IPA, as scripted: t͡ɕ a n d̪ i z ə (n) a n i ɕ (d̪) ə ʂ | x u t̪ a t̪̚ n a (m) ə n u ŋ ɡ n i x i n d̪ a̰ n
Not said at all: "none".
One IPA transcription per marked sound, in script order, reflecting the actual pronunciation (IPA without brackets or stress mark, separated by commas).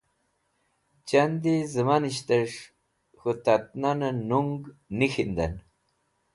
m, t̪, n